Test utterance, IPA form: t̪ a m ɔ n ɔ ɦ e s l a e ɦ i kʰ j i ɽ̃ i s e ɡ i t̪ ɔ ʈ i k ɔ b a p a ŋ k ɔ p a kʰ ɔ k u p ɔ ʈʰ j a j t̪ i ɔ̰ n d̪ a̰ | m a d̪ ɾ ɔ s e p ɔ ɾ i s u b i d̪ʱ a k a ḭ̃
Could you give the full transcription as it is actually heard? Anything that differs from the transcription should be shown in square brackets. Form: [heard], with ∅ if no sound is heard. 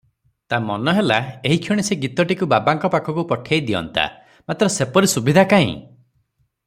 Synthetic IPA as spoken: t̪ a m ɔ n ɔ ɦ e [∅] l a e ɦ i kʰ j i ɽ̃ i s e ɡ i t̪ ɔ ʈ i k [u] b a [b] a ŋ k ɔ p a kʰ ɔ k u p ɔ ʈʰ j a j [d̪] i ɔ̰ n [t̪] a̰ | m a [t̪] ɾ ɔ s e p ɔ ɾ i s u b i d̪ʱ a k a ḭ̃